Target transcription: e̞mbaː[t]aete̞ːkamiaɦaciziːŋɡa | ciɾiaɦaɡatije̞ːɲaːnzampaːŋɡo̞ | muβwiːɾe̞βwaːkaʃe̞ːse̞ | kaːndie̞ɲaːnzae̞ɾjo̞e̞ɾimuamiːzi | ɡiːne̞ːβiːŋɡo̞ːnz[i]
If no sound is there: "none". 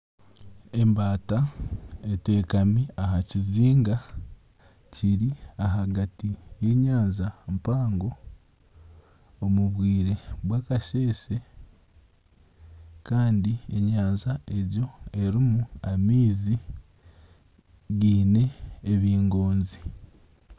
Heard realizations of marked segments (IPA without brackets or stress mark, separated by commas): t, i